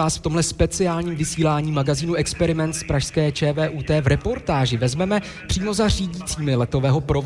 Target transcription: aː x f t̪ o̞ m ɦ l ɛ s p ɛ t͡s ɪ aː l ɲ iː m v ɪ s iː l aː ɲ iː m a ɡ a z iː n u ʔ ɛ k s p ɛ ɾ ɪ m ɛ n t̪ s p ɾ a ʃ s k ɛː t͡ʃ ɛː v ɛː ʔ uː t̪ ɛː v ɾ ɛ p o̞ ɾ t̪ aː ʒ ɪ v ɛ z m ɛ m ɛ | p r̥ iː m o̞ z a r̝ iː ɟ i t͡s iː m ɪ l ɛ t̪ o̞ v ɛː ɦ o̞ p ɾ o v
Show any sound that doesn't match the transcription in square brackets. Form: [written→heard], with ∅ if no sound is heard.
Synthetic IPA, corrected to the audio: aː [x→s] f t̪ o̞ m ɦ l ɛ s p ɛ t͡s ɪ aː l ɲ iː m v ɪ s iː l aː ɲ iː m a ɡ a z iː n u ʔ ɛ k s p ɛ ɾ ɪ m ɛ n t̪ s p ɾ a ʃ s k ɛː t͡ʃ ɛː v ɛː ʔ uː t̪ ɛː v ɾ ɛ p o̞ ɾ t̪ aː ʒ ɪ v ɛ z m ɛ m ɛ | p r̥ iː m o̞ z a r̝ iː ɟ i t͡s iː m ɪ l ɛ t̪ o̞ v ɛː ɦ o̞ p ɾ o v